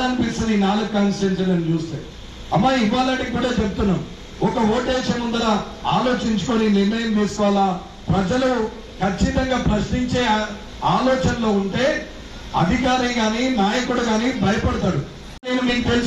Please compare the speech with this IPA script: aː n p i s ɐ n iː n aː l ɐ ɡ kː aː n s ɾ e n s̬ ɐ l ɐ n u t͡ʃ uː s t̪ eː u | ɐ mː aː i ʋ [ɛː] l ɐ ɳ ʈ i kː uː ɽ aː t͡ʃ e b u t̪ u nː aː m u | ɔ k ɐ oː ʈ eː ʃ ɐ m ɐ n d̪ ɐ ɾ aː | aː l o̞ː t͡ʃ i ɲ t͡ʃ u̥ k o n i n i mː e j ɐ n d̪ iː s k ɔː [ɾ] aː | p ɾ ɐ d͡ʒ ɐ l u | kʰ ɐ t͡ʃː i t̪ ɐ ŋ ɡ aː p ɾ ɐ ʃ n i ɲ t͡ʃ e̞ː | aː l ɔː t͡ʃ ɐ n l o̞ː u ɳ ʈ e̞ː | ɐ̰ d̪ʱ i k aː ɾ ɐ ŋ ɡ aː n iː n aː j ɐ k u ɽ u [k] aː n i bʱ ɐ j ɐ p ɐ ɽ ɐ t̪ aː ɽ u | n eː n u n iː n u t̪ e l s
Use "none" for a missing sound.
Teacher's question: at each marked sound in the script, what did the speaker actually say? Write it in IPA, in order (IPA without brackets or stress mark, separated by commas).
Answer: aː, l, ɡ